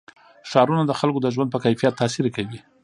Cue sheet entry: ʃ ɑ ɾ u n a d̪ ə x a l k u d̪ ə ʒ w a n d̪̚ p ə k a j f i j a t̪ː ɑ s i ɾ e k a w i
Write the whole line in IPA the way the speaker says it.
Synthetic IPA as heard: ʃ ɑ ɾ u n a d̪ ə x a l k o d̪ ə ʒ w a n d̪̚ p ə k a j f i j a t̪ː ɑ s i ɾ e k a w i